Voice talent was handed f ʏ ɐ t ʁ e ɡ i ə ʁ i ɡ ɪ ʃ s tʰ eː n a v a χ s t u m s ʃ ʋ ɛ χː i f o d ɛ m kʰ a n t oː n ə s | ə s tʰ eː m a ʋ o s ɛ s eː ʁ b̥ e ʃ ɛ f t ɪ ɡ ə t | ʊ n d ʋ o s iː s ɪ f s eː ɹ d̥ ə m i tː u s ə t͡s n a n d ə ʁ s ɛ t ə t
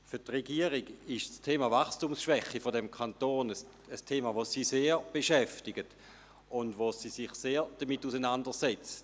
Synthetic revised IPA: f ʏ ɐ t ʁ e ɡ i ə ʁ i ɡ ɪ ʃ s tʰ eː m a v a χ s t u m s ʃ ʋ ɛ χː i f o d ɛ m kʰ a n t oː n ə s | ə s tʰ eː m a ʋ o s i s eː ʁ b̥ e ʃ ɛ f t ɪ ɡ ə t | ʊ n d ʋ o s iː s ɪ χ s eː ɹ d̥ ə m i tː u s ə n a n d ə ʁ s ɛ t͡s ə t